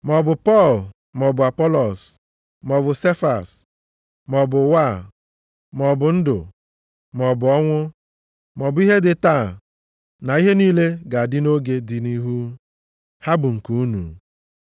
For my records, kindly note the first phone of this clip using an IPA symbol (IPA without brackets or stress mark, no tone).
m